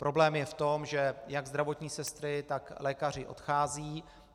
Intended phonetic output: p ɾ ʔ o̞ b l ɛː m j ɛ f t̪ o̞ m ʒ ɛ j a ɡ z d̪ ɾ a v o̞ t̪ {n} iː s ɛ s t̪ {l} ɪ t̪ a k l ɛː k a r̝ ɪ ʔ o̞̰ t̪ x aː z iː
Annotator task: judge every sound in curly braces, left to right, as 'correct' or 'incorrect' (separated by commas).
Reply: incorrect, incorrect